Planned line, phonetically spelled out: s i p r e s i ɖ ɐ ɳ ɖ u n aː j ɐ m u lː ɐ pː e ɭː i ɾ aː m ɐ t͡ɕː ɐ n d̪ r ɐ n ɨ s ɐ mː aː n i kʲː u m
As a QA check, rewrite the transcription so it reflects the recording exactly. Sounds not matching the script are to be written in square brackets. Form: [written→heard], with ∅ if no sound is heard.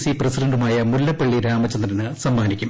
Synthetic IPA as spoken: s i p r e s i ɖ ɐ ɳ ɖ u [n→m] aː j ɐ m u lː ɐ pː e ɭː i ɾ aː m ɐ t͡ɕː ɐ n d̪ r ɐ n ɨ s ɐ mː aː n i kʲː u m